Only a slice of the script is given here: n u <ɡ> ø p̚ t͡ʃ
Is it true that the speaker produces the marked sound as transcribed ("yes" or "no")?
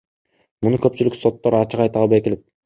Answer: no